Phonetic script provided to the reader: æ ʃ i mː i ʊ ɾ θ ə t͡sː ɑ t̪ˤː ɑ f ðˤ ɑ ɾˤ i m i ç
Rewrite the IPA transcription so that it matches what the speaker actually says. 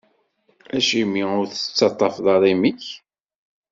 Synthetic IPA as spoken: æ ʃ i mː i ʊ ɾ θ ə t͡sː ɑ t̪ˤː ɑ f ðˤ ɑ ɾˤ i m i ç